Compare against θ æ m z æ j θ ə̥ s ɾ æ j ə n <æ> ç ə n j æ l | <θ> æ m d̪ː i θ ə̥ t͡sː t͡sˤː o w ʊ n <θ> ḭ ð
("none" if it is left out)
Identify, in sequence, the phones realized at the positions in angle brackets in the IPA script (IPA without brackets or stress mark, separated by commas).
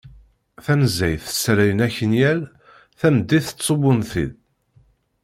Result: æ, θ, θ